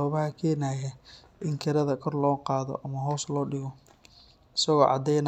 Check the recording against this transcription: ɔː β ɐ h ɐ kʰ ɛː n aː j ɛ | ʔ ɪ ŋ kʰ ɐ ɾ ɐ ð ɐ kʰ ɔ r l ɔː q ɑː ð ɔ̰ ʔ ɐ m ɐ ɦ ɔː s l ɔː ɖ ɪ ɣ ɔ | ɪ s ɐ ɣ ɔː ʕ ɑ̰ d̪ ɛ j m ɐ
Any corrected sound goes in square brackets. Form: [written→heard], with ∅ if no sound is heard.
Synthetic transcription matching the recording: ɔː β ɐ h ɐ kʰ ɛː n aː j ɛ | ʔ ɪ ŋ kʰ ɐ ɾ ɐ ð ɐ kʰ ɔ r l ɔː q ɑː ð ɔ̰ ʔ ɐ m ɐ ɦ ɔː s l ɔː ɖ ɪ ɣ ɔ | ɪ s ɐ ɣ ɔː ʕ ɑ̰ d̪ ɛ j [m→n] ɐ